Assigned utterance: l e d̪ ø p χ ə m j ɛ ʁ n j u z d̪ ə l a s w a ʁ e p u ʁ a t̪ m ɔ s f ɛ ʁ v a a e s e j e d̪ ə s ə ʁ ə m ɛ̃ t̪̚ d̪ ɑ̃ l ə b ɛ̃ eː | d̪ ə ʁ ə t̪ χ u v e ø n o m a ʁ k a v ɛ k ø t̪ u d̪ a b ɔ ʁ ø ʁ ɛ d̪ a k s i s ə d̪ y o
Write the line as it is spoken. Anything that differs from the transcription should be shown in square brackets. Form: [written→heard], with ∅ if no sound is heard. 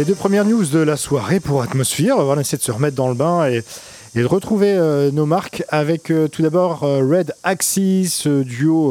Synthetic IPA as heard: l e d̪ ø p χ ə m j ɛ ʁ n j u z d̪ ə l a s w a ʁ e p u ʁ a t̪ m ɔ s f ɛ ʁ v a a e s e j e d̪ ə s ə ʁ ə m [ɛ̃→ɛ] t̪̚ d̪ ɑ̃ l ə b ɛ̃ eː | d̪ ə ʁ ə t̪ χ u v e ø n o m a ʁ k a v ɛ k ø t̪ u d̪ a b ɔ ʁ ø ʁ ɛ d̪ a k s i s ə d̪ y o